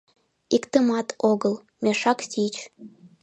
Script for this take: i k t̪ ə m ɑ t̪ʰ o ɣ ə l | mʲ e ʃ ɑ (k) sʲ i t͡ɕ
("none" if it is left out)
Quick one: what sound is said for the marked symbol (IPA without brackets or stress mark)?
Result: k